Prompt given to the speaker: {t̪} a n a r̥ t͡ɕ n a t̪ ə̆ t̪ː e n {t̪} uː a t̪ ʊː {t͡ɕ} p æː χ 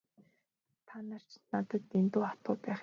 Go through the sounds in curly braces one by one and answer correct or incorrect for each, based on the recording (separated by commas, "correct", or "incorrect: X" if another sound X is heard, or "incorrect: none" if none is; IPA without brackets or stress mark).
incorrect: t̪ʰ, correct, incorrect: none